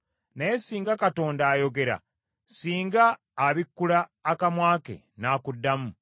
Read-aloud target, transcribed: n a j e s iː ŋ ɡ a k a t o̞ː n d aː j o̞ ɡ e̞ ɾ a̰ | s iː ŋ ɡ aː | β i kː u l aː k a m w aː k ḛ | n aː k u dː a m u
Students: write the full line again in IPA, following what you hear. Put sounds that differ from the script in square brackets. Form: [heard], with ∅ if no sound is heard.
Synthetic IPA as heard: n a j e s iː ŋ ɡ a k a t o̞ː n d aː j o̞ ɡ e̞ ɾ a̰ | s iː ŋ ɡ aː | β i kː u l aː k a m w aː k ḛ | n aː k u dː a m u